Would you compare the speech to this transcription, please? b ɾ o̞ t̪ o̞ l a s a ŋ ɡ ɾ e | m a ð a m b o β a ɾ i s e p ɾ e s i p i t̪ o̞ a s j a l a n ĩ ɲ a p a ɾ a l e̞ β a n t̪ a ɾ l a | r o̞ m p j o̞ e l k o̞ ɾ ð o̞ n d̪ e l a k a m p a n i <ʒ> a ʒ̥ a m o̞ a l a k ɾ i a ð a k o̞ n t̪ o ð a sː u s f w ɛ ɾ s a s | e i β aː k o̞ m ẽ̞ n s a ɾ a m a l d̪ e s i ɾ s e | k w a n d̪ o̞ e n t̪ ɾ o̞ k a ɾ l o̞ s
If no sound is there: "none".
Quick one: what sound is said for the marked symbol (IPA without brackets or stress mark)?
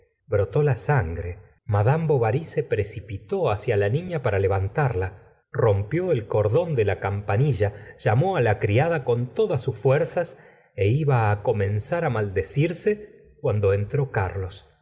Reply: ʒ